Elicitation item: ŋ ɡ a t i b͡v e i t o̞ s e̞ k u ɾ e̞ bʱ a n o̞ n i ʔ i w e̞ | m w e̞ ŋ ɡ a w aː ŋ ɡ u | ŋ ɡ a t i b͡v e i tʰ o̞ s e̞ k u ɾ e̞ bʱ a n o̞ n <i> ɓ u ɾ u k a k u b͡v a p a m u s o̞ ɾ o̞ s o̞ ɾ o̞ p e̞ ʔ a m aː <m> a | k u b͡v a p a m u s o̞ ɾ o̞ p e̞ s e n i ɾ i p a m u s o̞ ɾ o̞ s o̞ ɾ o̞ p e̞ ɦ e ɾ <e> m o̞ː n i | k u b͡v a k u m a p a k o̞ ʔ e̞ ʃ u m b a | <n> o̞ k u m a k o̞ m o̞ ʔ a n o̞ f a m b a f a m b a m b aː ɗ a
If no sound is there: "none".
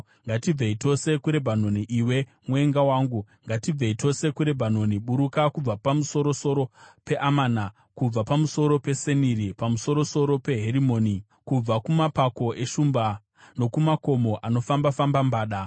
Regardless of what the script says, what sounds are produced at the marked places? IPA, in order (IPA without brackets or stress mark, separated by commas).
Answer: i, n, i, n